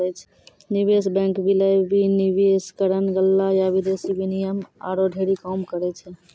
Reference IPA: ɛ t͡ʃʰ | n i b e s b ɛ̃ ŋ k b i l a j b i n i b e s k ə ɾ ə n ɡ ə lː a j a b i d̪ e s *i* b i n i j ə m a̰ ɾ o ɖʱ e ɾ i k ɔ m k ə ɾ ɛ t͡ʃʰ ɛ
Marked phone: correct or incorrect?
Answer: correct